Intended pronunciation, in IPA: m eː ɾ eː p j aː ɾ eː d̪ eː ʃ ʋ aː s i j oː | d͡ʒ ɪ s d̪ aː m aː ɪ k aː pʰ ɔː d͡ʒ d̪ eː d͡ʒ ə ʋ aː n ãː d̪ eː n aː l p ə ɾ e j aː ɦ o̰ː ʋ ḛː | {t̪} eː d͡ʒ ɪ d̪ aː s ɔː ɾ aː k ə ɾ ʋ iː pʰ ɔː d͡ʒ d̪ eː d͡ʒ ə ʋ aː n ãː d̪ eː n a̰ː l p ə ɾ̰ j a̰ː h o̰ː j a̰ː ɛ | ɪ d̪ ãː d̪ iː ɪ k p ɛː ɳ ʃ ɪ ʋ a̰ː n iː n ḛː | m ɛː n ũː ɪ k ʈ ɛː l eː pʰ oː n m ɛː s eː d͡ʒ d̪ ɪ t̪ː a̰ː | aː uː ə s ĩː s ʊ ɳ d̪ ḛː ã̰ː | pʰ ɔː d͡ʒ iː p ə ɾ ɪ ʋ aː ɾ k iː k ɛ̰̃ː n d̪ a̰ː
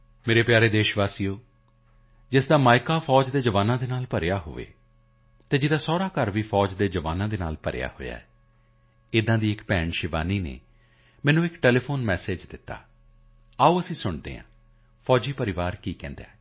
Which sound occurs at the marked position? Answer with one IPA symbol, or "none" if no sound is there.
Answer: t̪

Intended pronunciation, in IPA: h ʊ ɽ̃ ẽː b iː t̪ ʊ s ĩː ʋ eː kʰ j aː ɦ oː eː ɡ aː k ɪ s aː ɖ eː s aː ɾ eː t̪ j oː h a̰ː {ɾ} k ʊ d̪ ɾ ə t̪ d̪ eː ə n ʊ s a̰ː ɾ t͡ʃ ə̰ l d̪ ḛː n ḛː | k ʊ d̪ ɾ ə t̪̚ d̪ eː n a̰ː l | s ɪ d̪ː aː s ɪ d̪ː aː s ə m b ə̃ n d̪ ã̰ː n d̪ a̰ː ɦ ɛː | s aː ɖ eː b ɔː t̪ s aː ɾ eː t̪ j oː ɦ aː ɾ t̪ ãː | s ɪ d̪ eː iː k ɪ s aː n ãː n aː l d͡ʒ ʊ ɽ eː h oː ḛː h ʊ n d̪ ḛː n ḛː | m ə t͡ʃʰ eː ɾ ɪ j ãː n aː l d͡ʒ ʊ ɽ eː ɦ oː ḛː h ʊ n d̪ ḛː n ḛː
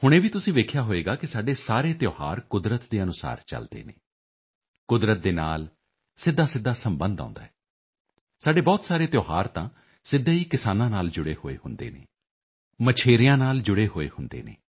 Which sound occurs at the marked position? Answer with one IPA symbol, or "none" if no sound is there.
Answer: ɾ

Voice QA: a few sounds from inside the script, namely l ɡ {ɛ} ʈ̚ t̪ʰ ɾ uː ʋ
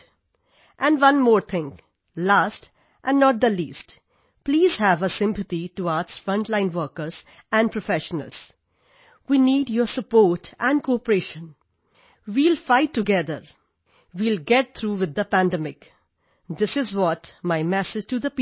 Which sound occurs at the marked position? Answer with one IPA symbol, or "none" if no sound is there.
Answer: ɛ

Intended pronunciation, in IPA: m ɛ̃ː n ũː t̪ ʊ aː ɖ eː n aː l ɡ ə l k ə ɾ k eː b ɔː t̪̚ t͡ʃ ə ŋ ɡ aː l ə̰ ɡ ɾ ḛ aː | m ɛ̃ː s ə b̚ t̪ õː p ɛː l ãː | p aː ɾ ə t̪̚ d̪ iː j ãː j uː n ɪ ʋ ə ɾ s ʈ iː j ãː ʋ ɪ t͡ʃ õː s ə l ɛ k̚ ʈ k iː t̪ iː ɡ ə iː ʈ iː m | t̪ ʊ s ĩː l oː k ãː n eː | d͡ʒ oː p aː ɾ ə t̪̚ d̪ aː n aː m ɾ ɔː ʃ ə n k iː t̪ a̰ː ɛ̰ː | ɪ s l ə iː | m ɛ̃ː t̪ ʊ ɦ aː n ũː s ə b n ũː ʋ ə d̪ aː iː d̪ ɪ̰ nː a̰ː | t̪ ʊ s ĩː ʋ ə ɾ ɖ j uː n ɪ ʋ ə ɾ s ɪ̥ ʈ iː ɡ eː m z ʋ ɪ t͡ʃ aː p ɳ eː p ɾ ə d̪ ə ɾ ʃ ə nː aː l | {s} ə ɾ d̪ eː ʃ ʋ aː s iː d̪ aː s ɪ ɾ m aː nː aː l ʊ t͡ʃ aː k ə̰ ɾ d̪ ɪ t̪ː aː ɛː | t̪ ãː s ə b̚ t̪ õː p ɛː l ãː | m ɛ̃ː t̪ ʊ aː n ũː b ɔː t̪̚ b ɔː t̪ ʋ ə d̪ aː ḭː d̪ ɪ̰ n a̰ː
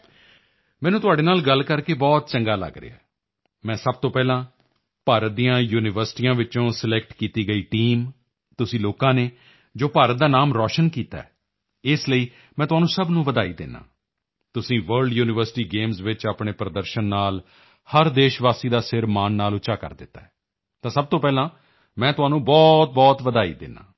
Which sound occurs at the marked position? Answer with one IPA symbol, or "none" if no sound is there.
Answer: h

